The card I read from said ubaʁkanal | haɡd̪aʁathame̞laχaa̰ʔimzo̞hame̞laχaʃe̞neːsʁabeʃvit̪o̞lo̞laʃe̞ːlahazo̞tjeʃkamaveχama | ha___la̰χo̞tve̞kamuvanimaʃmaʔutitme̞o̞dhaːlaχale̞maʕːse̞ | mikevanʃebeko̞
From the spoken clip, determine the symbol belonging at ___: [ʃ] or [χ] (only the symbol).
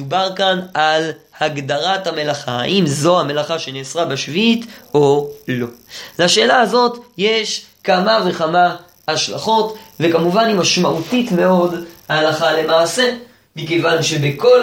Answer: ʃ